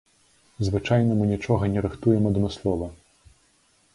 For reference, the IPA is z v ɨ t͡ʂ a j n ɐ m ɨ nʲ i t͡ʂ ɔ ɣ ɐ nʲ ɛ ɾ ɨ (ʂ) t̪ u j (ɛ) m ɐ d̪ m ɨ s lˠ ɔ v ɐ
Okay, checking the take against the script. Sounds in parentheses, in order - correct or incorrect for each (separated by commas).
incorrect, correct